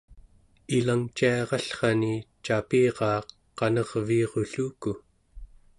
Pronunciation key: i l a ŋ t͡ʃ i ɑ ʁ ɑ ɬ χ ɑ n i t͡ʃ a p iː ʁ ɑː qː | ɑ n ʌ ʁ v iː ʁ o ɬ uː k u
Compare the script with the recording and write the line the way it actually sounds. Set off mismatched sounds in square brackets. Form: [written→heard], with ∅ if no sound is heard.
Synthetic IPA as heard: i l a ŋ t͡ʃ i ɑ ʁ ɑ ɬ χ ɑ n i t͡ʃ a p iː ʁ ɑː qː | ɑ n ʌ ʁ v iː ʁ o ɬ uː k u

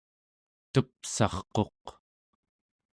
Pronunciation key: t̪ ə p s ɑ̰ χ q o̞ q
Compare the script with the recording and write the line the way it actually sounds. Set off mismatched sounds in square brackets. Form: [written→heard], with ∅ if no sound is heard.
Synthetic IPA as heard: t̪ ə p s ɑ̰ χ q o̞ q

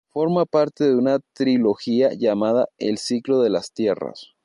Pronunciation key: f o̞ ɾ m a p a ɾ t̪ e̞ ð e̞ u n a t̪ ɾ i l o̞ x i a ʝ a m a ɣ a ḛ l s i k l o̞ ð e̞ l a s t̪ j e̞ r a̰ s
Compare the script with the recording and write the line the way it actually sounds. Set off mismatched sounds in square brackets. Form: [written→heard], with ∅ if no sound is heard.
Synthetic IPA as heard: f o̞ ɾ m a p a ɾ t̪ e̞ ð e̞ u n a t̪ ɾ i l o̞ x i a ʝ a m a [ɣ→ð] a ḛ l s i k l o̞ ð e̞ l a s t̪ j e̞ r a̰ s

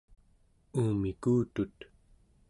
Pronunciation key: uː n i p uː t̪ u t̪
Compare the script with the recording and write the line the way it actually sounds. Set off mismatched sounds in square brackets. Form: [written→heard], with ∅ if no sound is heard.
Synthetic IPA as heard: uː [n→m] i [p→k] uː t̪ u t̪

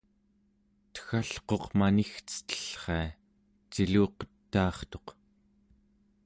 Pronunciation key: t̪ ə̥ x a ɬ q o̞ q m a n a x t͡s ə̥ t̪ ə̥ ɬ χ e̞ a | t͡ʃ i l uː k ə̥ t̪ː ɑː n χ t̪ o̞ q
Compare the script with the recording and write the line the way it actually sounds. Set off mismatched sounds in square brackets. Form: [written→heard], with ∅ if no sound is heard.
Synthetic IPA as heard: t̪ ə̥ x a ɬ q o̞ q m a n [a→i] x t͡s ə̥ t̪ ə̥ ɬ χ e̞ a | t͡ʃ i l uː [k→q] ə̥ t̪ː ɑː [n→∅] χ t̪ o̞ q

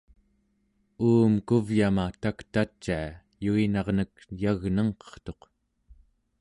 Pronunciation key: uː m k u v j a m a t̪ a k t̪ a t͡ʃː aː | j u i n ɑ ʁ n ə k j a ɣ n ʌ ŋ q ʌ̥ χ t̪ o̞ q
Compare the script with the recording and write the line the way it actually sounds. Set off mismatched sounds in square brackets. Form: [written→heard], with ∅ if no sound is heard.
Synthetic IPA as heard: uː m k u v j a m a t̪ a k t̪ a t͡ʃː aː | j u i n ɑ ʁ n ə k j a ɣ n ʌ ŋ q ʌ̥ χ t̪ o̞ q

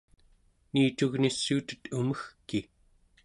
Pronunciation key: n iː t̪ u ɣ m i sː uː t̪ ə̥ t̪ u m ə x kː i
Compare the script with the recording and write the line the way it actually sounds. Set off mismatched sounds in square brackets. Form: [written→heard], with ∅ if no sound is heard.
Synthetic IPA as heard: n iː t̪ u ɣ [m→n] i sː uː t̪ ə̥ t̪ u m ə x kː i

